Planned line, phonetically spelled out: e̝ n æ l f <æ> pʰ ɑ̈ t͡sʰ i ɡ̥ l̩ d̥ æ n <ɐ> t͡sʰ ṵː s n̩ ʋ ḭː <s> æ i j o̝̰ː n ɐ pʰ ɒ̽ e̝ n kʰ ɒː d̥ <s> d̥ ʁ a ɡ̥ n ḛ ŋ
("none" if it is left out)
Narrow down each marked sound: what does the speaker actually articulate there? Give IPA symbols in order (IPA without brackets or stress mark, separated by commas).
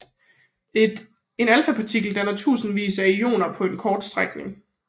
æ, ɐ, s, s